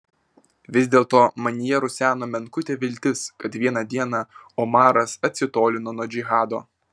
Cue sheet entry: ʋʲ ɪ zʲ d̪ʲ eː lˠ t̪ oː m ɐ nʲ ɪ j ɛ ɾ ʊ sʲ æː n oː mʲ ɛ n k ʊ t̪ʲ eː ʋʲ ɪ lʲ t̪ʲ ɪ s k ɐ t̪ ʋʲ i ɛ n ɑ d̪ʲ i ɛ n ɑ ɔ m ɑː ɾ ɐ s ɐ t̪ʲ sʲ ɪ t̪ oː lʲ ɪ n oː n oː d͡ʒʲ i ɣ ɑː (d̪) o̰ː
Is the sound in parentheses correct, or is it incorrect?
correct